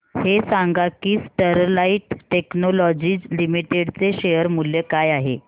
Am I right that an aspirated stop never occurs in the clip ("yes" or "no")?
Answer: yes